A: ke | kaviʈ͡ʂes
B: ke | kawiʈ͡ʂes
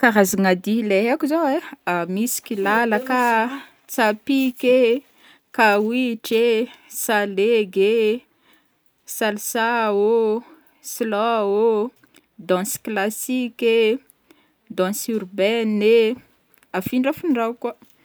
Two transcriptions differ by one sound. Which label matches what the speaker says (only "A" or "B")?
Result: B